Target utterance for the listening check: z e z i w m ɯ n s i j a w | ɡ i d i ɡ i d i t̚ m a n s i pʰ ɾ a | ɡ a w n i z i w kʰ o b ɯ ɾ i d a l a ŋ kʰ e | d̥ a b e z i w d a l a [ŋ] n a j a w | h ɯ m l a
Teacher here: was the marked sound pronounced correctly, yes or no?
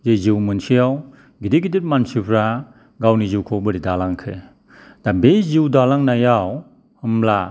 yes